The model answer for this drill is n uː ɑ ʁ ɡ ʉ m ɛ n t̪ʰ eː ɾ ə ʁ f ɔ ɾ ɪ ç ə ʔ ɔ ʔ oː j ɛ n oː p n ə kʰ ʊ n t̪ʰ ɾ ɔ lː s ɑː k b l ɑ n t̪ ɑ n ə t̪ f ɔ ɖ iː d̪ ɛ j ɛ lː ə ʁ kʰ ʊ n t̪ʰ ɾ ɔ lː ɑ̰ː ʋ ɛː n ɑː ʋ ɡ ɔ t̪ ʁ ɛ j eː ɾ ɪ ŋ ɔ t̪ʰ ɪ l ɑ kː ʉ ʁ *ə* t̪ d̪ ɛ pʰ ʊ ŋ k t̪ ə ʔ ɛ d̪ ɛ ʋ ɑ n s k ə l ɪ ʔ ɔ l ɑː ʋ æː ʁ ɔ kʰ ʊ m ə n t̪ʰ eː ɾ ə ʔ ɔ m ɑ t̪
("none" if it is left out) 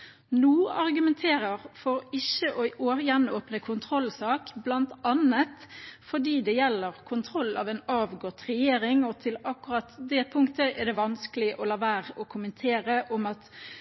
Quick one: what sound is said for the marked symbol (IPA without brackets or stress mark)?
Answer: ɑ